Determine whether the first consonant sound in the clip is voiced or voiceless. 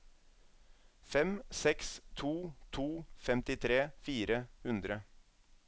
voiceless